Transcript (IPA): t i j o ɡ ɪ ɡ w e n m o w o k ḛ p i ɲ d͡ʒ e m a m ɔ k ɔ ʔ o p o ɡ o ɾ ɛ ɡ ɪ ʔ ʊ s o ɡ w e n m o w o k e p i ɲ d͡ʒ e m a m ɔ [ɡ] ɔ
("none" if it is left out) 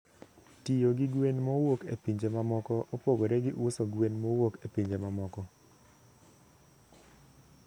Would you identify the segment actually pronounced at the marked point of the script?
k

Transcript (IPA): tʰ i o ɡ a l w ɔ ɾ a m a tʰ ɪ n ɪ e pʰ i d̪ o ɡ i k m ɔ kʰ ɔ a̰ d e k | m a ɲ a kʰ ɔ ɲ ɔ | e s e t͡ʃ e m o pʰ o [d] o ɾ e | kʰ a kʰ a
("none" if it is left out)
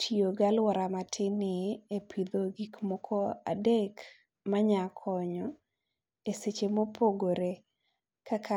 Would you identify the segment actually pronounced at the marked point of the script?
ɡ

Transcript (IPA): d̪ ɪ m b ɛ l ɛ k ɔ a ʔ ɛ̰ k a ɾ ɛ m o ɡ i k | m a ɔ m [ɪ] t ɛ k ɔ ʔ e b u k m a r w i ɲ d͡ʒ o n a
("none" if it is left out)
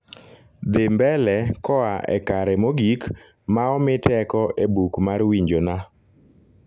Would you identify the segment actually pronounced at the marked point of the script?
ɪ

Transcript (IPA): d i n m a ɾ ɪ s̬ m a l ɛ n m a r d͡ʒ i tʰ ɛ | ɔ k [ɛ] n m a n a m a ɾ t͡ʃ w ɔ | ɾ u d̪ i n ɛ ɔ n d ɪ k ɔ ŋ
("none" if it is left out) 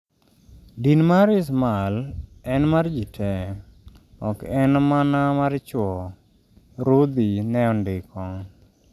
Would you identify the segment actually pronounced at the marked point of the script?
ɛ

